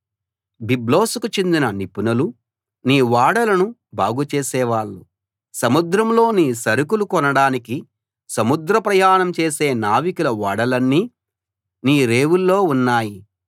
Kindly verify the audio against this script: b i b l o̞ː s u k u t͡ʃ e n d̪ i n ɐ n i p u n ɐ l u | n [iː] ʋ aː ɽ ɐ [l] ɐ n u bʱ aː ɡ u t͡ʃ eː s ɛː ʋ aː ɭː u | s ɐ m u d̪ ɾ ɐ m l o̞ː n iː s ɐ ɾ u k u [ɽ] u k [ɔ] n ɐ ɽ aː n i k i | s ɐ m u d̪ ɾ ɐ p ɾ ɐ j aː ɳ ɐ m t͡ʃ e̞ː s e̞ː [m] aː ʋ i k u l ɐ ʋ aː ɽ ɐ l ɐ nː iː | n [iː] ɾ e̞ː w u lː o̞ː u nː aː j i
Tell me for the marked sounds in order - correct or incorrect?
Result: correct, correct, incorrect: l, correct, incorrect: n, correct

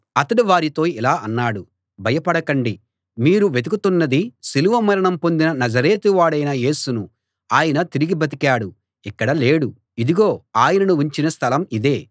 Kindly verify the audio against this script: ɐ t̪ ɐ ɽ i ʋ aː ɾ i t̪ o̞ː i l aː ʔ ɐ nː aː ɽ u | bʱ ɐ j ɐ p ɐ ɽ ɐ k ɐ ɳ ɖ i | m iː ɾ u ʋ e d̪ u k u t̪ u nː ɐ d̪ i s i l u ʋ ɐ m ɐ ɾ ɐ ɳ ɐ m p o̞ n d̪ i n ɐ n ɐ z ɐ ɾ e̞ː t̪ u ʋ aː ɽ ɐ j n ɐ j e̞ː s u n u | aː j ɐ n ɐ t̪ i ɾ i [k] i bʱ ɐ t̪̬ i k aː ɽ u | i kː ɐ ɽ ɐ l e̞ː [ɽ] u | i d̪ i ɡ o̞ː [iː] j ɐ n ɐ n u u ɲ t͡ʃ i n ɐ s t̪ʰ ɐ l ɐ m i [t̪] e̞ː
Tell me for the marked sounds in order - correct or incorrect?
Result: incorrect: ɡ, correct, incorrect: aː, incorrect: d̪

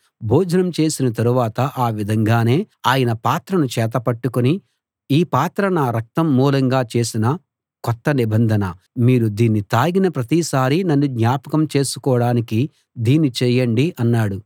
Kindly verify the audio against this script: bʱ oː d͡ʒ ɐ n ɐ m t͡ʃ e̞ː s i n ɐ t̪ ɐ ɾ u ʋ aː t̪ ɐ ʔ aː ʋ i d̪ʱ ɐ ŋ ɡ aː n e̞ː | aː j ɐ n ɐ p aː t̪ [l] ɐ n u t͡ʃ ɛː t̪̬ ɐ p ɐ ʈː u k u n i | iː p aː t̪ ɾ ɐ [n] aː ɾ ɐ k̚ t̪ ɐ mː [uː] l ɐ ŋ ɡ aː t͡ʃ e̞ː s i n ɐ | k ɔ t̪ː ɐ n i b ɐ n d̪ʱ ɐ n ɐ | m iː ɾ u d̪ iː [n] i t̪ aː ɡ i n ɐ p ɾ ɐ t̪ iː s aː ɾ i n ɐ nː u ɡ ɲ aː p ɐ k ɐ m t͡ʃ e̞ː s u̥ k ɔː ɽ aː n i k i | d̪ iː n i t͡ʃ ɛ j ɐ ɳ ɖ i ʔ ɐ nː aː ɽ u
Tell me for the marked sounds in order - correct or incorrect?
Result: incorrect: ɾ, correct, correct, incorrect: nː

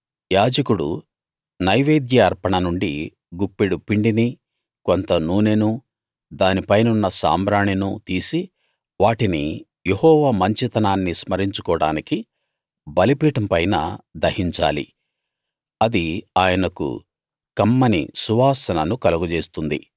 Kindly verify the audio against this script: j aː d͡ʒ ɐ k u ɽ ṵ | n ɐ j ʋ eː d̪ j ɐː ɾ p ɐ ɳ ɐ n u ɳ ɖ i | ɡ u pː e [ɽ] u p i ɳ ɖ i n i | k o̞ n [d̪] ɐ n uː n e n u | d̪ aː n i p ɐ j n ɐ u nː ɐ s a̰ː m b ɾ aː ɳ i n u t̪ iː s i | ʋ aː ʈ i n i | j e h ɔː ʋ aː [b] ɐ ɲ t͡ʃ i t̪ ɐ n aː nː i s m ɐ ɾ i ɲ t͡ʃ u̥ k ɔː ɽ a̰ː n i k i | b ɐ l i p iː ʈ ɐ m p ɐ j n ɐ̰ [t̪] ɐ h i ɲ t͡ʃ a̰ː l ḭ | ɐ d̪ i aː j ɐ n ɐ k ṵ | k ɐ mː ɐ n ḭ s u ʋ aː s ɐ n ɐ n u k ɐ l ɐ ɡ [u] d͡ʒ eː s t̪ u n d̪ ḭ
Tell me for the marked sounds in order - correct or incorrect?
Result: correct, incorrect: t̪, incorrect: m, incorrect: d̪, correct

